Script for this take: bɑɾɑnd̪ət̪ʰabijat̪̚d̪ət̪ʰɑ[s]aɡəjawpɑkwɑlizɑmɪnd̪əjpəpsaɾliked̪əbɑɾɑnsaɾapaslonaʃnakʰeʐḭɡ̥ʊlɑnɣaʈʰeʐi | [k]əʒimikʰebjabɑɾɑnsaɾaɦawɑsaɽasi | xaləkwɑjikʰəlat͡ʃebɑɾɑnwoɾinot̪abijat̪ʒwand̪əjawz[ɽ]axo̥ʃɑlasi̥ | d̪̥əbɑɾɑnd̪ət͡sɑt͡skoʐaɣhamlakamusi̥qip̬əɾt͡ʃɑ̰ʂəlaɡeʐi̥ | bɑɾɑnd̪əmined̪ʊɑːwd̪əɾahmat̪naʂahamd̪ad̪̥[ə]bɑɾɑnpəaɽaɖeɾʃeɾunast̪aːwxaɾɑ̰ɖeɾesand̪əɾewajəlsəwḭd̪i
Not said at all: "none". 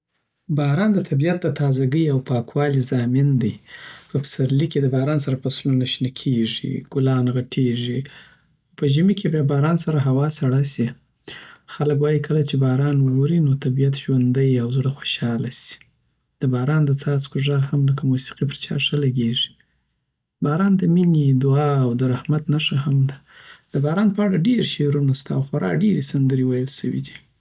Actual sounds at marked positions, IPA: z, p, ɽ, ə

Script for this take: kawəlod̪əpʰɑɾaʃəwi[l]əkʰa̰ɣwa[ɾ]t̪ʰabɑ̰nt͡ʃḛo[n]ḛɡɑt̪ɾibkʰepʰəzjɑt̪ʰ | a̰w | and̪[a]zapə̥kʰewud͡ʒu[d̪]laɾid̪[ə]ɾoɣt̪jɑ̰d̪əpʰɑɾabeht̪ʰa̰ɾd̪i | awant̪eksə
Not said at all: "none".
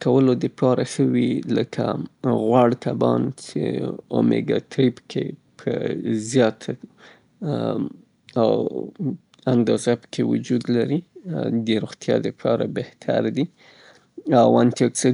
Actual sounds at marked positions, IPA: l, ɽ, m, ɑ, d̪, ə

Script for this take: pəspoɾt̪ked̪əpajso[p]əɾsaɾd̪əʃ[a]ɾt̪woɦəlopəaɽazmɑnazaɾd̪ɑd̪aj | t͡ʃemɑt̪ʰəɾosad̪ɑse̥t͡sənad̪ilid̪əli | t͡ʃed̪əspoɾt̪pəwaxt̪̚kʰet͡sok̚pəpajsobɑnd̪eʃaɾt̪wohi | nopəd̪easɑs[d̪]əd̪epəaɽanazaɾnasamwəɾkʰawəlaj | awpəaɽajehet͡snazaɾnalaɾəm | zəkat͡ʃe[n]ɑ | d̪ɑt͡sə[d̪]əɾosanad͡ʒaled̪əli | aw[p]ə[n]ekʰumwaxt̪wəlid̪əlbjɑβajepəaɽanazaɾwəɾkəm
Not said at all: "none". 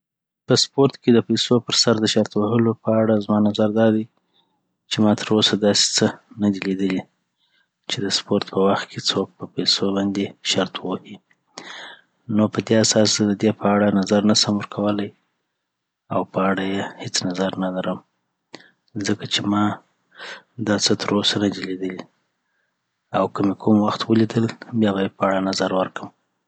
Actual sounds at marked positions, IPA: p, a, d̪, m, t̪, k, m

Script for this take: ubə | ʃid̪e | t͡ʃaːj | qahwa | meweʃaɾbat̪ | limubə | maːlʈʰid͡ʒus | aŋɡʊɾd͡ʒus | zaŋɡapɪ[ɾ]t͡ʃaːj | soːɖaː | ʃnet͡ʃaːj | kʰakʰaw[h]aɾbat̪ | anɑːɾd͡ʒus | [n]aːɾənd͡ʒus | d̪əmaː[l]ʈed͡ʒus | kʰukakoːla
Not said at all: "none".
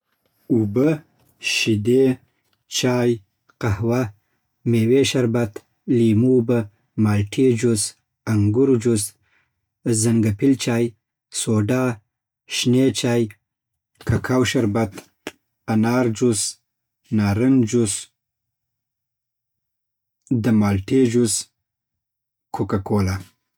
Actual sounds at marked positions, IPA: l, ʃ, n, l

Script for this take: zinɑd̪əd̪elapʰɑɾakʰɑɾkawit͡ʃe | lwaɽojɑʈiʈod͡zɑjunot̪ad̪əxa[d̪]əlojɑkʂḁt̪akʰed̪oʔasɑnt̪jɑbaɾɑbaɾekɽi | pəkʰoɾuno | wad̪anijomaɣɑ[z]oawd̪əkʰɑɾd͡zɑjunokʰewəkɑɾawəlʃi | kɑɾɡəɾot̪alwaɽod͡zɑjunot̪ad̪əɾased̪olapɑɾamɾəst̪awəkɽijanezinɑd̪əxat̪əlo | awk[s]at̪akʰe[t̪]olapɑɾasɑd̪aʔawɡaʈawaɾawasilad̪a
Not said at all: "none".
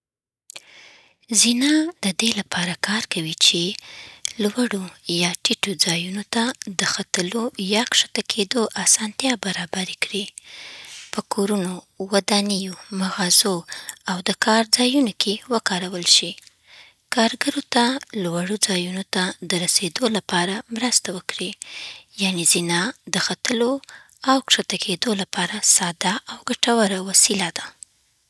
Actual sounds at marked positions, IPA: t̪, z, ʂ, d̪

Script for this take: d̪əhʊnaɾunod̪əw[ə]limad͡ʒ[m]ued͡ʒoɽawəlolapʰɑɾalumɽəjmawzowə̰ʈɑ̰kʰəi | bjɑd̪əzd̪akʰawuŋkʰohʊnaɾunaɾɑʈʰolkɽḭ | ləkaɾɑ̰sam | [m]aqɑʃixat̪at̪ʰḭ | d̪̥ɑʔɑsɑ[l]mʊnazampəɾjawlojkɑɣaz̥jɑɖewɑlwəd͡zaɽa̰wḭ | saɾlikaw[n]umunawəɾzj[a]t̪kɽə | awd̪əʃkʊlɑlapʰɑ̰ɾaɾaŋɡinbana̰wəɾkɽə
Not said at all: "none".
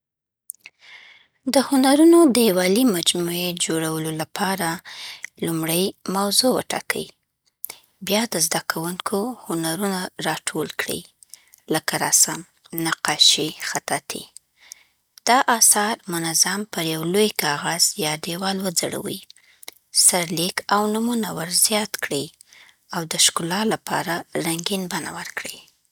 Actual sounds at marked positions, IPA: ɑ, m, n, ɾ, n, ɑ

